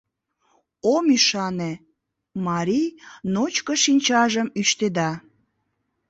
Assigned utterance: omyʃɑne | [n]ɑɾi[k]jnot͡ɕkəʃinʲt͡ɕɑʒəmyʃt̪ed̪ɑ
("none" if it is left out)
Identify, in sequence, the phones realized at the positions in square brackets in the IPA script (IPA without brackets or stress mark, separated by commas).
m, none